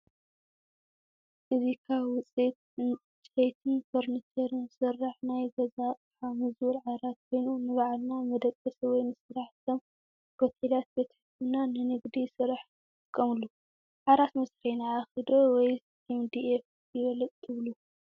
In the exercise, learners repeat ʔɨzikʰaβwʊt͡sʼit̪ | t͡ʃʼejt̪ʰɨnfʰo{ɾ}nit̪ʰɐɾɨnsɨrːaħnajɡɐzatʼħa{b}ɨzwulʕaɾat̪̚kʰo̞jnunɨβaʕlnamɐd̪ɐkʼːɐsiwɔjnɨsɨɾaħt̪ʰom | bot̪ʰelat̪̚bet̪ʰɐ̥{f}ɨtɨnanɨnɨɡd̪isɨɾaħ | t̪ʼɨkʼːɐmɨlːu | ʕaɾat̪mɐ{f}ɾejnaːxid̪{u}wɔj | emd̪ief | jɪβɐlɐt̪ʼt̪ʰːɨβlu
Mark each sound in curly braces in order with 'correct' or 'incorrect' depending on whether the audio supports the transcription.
correct, incorrect: m, incorrect: ħ, incorrect: s, incorrect: o

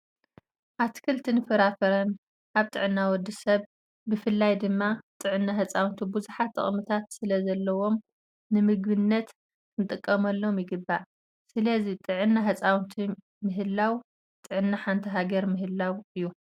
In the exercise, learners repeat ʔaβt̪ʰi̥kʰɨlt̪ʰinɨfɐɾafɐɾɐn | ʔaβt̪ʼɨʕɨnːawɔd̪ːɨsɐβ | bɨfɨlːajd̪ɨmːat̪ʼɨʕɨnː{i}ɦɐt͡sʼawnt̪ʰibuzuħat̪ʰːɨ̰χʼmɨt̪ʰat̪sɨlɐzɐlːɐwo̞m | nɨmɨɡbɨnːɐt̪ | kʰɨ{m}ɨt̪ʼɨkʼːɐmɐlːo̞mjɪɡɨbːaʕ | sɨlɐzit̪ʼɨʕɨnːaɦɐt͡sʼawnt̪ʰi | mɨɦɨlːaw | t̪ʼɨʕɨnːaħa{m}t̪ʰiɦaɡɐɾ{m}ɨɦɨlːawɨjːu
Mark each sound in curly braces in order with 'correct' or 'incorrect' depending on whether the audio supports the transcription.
incorrect: a, incorrect: n, incorrect: n, correct

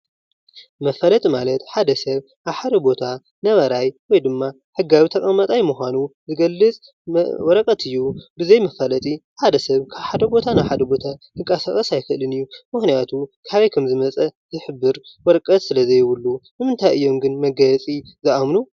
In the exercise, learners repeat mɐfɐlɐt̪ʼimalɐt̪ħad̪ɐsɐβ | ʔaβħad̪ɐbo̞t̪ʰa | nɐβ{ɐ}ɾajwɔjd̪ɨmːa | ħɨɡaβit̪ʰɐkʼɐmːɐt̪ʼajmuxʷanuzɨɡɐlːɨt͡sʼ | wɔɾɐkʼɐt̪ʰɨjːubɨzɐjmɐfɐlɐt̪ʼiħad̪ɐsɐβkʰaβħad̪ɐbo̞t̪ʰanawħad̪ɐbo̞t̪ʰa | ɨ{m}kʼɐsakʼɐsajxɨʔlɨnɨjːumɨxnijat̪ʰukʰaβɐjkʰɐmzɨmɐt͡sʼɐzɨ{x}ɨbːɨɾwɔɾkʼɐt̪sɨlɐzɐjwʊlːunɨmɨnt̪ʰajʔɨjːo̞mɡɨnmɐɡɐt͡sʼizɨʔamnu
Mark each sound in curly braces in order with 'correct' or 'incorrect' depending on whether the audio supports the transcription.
correct, incorrect: ŋ, incorrect: ħ

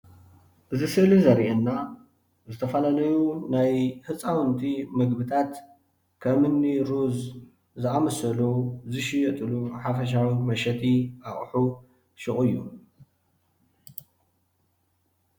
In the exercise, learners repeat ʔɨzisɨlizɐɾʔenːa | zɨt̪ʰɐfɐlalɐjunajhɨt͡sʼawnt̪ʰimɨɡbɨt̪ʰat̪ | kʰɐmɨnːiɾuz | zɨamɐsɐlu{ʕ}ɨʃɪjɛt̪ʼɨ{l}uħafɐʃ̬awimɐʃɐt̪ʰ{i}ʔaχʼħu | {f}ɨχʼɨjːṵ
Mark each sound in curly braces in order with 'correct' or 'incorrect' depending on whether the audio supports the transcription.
incorrect: z, correct, correct, incorrect: ʃ

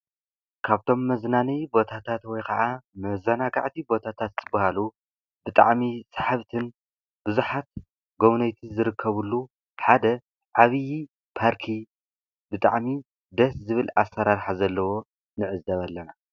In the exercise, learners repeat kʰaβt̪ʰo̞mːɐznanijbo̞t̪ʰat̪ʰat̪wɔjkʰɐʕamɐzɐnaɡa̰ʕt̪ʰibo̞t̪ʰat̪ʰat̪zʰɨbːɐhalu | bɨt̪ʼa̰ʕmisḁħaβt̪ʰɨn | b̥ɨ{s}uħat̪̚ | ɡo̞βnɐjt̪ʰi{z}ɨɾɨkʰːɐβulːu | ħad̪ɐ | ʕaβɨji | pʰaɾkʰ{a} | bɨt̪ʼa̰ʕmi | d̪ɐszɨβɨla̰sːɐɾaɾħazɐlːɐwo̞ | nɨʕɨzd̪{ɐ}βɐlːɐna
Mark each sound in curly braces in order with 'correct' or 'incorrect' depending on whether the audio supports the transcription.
incorrect: z, correct, incorrect: i, correct

